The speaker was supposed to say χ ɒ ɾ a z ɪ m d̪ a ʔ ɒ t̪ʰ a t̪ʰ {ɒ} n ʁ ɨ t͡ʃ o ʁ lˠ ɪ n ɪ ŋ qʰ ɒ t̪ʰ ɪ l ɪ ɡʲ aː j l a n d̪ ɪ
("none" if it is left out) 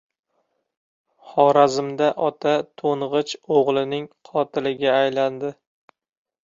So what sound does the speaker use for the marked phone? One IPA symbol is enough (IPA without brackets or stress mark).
o